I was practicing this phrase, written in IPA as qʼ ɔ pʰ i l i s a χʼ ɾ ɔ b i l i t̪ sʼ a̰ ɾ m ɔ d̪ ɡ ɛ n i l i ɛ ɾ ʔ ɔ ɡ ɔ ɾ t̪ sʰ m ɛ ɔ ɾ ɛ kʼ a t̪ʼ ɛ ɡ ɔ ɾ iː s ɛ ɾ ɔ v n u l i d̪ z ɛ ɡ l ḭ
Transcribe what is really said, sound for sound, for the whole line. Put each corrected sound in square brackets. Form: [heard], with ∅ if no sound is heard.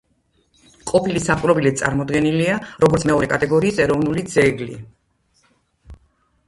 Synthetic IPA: qʼ ɔ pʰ i l i s a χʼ ɾ ɔ b i l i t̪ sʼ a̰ ɾ m ɔ d̪ ɡ ɛ n i l i [a] ɾ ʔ ɔ ɡ ɔ ɾ t̪ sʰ m ɛ ɔ ɾ ɛ kʼ a t̪ʼ ɛ ɡ ɔ ɾ iː s ɛ ɾ ɔ v n u l i d̪ z ɛ ɡ l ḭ